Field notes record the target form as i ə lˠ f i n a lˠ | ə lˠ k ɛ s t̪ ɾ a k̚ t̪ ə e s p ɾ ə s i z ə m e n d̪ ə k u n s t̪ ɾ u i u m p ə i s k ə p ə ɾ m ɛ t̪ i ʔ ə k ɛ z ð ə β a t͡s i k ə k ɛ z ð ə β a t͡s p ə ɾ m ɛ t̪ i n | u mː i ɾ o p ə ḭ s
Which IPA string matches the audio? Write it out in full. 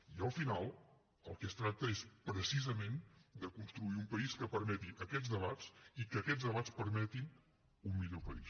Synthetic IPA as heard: i ə lˠ f i n a lˠ | ə lˠ k ɛ s t̪ ɾ a k̚ t̪ ə e s p ɾ ə s i z ə m e n d̪ ə k u n s t̪ ɾ u i u m p ə i s k ə p ə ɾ m ɛ t̪ i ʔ ə k ɛ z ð ə β a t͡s i k ə k ɛ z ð ə β a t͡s p ə ɾ m ɛ t̪ i n | u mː i ʎ o p ə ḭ s